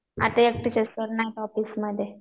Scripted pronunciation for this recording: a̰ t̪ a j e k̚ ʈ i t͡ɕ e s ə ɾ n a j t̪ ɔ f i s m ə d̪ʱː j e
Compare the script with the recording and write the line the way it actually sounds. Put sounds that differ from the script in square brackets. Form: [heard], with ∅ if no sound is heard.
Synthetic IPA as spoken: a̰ t̪ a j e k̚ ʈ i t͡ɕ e s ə ɾ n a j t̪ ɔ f i s m ə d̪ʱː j e